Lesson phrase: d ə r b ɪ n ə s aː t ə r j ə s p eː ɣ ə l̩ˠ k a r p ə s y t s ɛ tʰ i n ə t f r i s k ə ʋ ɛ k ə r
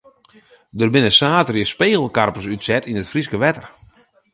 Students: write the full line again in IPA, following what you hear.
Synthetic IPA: d ə r b ɪ n ə s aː t ə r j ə s p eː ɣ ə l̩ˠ k a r p ə s y t s ɛ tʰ i n ə t f r i s k ə ʋ ɛ t ə r